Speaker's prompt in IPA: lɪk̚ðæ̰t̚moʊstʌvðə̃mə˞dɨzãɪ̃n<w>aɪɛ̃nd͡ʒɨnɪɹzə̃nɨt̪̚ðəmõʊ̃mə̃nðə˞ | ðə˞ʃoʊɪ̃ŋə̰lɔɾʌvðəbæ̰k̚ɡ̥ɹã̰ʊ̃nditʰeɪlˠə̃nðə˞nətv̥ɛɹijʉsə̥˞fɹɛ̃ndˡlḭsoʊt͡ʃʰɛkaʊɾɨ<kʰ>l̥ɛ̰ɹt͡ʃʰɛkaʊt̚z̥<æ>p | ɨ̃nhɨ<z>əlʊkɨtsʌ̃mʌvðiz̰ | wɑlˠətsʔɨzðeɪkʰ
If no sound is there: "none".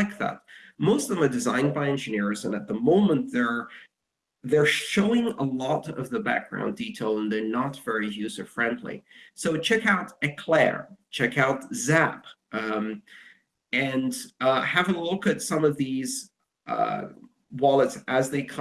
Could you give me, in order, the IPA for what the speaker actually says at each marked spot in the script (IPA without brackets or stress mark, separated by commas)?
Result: b, kʰ, æ, v